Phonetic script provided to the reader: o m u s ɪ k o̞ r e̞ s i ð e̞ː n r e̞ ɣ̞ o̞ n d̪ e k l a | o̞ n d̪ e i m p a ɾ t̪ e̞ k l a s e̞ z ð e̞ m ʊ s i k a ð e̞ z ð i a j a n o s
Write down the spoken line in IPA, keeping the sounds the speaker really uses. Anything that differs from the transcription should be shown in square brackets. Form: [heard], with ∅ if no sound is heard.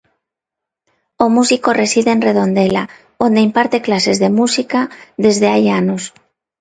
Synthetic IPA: o m u s [i] k o̞ r e̞ s i ð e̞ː n r e̞ [ð̞] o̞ n d̪ e [∅] l a | o̞ n d̪ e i m p a ɾ t̪ e̞ k l a s e̞ z ð e̞ m [u] s i k a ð e̞ z ð [e] a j a n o s

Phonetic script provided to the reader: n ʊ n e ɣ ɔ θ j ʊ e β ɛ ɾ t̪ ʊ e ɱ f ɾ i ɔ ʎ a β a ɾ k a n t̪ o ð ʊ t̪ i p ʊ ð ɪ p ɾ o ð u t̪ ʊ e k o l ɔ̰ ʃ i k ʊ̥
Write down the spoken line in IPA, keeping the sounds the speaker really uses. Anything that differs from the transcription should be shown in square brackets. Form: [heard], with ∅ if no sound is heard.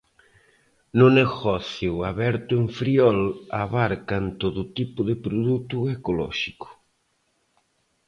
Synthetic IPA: n ʊ n e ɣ ɔ θ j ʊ [a] β ɛ ɾ t̪ ʊ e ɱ f ɾ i ɔ [l] a β a ɾ k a n t̪ o ð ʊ t̪ i p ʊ ð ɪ p ɾ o ð u t̪ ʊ e k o l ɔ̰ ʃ i k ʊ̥

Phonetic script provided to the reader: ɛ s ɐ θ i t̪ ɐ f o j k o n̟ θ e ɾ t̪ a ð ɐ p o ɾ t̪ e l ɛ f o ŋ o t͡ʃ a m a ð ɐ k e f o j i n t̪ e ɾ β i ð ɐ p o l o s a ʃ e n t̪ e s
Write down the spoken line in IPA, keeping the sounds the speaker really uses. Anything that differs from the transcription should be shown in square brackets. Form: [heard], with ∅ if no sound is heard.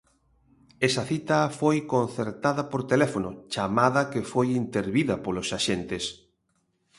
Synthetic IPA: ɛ s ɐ θ i t̪ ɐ f o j k o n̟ θ e ɾ t̪ a ð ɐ p o ɾ t̪ e l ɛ f o [n] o t͡ʃ a m a ð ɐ k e f o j i n t̪ e ɾ β i ð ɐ p o l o s a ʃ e n t̪ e s

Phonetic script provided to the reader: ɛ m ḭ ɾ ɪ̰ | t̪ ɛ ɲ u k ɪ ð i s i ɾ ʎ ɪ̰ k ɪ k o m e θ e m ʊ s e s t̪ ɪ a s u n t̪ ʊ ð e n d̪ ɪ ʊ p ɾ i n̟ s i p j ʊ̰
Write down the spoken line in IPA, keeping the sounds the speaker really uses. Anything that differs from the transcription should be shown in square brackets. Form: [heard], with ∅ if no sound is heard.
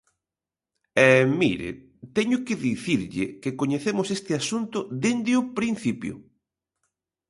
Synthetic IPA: ɛ m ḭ ɾ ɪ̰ | t̪ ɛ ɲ [ʊ] k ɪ ð i [θ] i ɾ ʎ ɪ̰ k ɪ k o [ɲ] e θ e m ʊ s e s t̪ ɪ a s u n t̪ ʊ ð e n d̪ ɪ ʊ p ɾ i n̟ [θ] i p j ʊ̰

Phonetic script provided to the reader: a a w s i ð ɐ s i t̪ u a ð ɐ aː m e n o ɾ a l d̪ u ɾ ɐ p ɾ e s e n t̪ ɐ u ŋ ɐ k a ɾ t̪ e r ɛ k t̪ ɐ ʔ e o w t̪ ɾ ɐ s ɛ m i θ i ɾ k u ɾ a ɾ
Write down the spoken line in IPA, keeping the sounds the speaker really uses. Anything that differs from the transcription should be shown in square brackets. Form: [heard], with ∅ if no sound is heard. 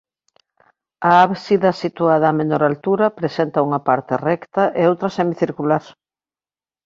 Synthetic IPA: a a [β] s i ð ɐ s i t̪ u a ð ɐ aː m e n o ɾ a l [t̪] u ɾ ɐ p ɾ e s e n t̪ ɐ u ŋ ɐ [p] a ɾ t̪ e r ɛ k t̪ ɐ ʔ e o w t̪ ɾ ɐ s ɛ m i θ i ɾ k u [l] a ɾ

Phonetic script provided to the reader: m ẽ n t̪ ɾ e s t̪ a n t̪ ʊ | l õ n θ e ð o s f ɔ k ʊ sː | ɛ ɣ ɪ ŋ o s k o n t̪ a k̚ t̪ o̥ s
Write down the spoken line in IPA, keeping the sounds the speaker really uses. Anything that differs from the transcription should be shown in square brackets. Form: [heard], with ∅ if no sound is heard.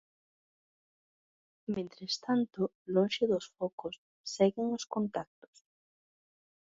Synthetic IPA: m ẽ n t̪ ɾ e s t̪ a n t̪ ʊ | l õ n [ʃ] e ð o s f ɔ k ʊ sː | ɛ ɣ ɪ ŋ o s k o n t̪ a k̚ t̪ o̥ s

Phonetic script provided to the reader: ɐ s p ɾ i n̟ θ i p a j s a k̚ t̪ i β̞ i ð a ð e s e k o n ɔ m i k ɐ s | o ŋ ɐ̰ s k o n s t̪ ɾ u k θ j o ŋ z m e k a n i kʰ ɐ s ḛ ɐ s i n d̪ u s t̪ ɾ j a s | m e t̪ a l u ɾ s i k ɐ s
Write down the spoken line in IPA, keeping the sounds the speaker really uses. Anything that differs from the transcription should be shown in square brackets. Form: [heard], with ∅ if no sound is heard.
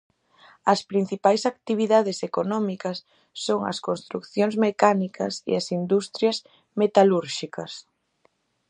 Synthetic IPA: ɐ s p ɾ i n̟ θ i p a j s a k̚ t̪ i β̞ i ð a ð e s e k o n ɔ m i k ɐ [sː] | o ŋ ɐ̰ s k o n s t̪ ɾ u k θ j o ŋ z m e k a n i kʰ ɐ s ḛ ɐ s i n d̪ u s t̪ ɾ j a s | m e t̪ a l u ɾ [ʃ] i k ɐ s

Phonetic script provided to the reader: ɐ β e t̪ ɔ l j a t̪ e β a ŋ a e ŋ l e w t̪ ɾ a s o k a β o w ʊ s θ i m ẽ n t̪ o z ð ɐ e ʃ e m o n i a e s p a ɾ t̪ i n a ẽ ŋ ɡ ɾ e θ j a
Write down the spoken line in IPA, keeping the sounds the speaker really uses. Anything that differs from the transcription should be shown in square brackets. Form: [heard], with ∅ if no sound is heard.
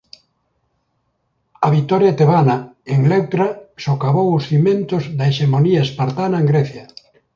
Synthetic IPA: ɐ β [i] t̪ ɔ [ɾ] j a t̪ e β a [n] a e ŋ l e w t̪ ɾ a s o k a β o w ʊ s θ i m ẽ n t̪ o z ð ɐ e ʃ e m o n i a e s p a ɾ t̪ [a] n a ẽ ŋ ɡ ɾ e θ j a

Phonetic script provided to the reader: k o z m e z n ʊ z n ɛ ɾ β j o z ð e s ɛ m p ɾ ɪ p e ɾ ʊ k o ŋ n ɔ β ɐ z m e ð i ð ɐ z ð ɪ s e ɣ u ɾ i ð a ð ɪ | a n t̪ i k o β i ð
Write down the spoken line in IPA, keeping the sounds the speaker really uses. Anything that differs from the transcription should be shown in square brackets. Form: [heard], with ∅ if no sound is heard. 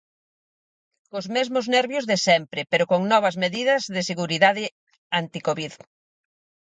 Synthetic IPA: k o z m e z [m] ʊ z n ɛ ɾ β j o z ð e s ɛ m p ɾ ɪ p e ɾ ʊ k o ŋ n ɔ β ɐ z m e ð i ð ɐ z ð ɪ s e ɣ u ɾ i ð a ð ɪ | a n t̪ i k o β i ð

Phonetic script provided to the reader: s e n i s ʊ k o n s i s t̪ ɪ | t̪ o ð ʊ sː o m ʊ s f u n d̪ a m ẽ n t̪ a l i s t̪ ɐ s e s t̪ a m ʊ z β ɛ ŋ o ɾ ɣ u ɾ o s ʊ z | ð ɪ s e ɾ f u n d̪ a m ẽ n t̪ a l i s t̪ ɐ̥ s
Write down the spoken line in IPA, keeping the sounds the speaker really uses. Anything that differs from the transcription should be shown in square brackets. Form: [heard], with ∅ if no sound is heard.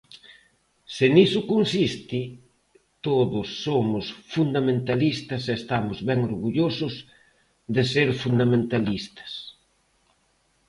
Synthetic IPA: s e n i s ʊ k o n s i s t̪ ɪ | t̪ o ð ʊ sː o m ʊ s f u n d̪ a m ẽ n t̪ a l i s t̪ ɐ s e s t̪ a m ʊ z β ɛ ŋ o ɾ ɣ u [ʎ] o s ʊ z | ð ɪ s e ɾ f u n d̪ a m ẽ n t̪ a l i s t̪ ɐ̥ s

